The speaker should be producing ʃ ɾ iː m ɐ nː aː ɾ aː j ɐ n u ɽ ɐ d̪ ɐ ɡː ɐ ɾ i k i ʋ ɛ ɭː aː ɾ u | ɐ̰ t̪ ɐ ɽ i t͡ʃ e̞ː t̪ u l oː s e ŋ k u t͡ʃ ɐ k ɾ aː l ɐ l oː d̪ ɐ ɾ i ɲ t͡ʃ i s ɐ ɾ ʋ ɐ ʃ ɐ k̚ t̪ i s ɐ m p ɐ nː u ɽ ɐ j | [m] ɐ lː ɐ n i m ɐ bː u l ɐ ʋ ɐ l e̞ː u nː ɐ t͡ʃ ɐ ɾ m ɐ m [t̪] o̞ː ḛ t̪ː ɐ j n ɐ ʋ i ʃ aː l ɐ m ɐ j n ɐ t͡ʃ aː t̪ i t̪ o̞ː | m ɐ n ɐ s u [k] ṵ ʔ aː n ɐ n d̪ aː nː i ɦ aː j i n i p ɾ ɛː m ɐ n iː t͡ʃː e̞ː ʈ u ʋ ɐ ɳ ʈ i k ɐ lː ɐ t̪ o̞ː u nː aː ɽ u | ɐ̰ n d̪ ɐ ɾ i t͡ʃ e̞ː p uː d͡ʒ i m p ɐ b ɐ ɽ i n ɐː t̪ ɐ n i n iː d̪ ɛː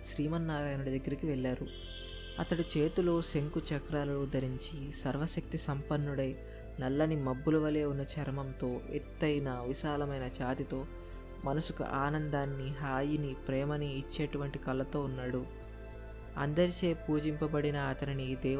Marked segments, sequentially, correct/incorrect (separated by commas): incorrect, correct, correct